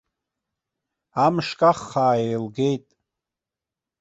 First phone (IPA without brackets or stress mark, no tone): a